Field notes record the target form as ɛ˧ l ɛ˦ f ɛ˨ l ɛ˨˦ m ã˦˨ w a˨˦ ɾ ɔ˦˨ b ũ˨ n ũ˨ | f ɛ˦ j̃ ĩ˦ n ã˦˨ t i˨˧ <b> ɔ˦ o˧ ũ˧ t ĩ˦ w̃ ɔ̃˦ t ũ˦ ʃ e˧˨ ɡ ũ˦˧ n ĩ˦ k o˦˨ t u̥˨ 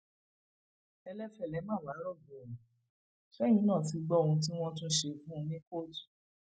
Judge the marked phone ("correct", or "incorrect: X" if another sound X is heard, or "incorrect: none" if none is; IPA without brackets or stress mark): incorrect: ɡ͡b